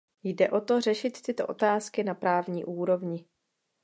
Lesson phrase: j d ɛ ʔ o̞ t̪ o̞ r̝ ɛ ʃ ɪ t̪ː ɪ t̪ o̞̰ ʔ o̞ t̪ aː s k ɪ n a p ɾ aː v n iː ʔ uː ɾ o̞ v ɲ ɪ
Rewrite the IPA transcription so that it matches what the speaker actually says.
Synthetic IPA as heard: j d ɛ ʔ o̞ t̪ o̞ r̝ ɛ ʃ ɪ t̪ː ɪ t̪ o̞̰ ʔ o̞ t̪ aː s k ɪ n a p ɾ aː v ɲ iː ʔ uː ɾ o̞ v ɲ ɪ